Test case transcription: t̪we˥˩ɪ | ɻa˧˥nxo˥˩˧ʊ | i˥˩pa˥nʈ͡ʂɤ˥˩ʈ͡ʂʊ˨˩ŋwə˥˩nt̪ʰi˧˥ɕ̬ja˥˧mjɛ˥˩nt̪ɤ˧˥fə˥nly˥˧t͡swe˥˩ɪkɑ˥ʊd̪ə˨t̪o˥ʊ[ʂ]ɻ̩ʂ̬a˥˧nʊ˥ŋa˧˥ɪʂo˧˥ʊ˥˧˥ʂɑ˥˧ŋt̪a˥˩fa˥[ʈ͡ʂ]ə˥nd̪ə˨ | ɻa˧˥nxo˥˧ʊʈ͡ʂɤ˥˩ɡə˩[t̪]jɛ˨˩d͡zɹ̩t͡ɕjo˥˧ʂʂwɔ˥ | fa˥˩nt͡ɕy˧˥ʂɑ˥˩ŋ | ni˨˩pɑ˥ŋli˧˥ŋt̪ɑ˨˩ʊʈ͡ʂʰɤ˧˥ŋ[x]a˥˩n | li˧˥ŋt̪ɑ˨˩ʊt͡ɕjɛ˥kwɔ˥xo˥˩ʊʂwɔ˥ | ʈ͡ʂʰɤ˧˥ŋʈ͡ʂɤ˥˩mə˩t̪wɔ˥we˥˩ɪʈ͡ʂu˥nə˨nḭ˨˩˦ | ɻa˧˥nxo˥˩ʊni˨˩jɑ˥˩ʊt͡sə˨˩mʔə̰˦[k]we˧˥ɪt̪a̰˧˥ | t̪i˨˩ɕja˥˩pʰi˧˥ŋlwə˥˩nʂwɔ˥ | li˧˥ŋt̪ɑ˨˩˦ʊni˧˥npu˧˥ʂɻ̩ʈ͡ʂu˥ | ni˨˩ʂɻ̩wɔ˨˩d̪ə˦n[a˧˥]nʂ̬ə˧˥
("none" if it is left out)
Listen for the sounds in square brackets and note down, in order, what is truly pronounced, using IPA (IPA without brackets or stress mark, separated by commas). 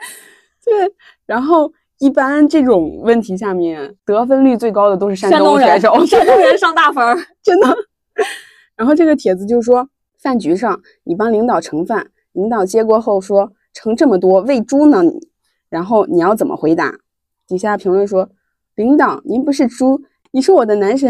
ʂ, ʈ͡ʂ, t̪ʰ, f, x, a˧˥